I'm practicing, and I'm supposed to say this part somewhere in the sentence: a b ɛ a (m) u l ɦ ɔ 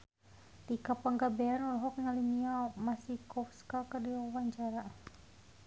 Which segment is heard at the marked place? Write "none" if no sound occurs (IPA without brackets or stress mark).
n